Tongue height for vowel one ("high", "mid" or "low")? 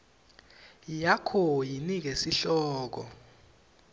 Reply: low